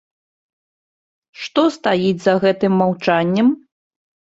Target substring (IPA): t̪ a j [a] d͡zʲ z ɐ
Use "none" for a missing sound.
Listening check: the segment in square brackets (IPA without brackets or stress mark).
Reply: i